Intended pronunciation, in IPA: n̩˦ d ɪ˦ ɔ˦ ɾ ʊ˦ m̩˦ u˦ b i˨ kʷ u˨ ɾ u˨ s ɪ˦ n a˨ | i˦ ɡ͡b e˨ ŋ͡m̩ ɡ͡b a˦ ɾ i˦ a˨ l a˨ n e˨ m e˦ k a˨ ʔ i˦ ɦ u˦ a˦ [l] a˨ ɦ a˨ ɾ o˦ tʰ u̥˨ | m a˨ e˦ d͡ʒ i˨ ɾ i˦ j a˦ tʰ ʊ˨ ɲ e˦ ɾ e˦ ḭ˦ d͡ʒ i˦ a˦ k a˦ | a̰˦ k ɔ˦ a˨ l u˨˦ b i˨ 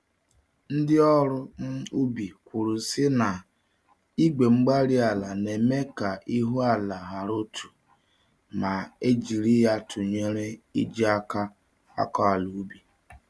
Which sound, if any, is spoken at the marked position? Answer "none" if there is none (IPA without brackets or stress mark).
l